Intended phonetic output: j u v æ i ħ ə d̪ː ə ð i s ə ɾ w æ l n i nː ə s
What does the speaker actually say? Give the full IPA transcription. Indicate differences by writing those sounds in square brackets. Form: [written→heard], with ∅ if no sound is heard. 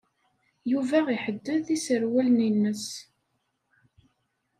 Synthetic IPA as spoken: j u v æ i ħ ə d̪ː ə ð i s ə ɾ w æ l n i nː ə s